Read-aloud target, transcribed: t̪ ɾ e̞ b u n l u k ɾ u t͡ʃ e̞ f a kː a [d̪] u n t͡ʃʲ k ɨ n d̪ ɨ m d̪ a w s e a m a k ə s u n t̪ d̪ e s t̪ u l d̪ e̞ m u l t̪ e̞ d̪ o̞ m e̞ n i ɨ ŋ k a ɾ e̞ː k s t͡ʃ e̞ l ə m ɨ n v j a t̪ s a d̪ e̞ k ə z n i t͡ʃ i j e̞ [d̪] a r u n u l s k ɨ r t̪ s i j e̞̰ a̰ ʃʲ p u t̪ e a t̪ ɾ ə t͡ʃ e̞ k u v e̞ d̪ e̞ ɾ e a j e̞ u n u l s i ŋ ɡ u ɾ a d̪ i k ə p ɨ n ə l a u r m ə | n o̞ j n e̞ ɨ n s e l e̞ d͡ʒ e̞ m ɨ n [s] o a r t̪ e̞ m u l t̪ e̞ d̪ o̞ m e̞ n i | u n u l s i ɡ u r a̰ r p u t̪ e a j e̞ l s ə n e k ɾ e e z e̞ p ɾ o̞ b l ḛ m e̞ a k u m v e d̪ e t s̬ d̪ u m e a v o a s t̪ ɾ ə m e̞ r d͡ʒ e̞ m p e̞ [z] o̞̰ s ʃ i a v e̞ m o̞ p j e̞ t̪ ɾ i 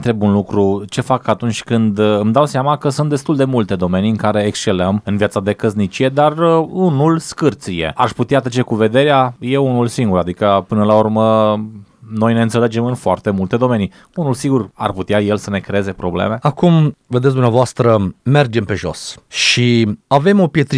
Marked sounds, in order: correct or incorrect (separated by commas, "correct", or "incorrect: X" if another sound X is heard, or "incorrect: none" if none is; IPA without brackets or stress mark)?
incorrect: t̪, correct, incorrect: f, incorrect: ʒ